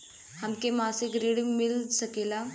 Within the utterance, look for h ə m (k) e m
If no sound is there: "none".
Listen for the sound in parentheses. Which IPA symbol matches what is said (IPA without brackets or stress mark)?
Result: k